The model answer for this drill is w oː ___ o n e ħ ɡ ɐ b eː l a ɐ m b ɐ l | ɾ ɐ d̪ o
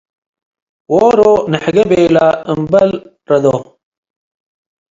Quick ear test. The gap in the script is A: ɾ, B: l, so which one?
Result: A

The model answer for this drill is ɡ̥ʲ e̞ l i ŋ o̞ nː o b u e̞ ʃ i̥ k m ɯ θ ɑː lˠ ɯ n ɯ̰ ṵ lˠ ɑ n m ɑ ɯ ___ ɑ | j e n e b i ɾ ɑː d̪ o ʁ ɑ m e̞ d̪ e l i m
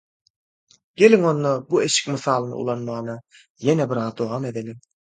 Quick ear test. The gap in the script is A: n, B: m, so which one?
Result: A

